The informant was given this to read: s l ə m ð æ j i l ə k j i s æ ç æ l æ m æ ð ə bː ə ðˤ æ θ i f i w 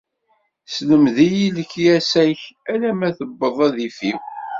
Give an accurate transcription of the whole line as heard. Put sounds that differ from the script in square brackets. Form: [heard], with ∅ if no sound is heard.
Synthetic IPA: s l ə m ð [i] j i l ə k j [æ] s æ ç æ l æ m æ [θ] ə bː ə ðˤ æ [ð] i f i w